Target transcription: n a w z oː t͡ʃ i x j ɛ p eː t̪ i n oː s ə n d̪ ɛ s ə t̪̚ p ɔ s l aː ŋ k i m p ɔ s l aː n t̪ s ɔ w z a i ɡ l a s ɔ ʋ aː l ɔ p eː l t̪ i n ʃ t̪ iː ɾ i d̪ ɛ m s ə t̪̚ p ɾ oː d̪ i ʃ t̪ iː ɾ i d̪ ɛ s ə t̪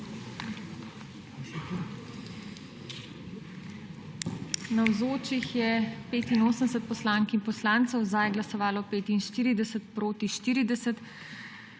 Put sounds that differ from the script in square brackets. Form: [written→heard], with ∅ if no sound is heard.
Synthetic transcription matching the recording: n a w z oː t͡ʃ i x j ɛ p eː t̪ i n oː s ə n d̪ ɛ s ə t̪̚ p ɔ s l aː ŋ k i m p ɔ s l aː n t̪ s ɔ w z a [i→j] ɡ l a s ɔ ʋ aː l ɔ p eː [l→∅] t̪ i n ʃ t̪ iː ɾ i d̪ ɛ [m→∅] s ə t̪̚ p ɾ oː [d̪→t̪] i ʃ t̪ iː ɾ i d̪ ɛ s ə t̪